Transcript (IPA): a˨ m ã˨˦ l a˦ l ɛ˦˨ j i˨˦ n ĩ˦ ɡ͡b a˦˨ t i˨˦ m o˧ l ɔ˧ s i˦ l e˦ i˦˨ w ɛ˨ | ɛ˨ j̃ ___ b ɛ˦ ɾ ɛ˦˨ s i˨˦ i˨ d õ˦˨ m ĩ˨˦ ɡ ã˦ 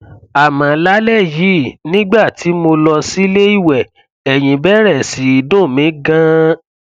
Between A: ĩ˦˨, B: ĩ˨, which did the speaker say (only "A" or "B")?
B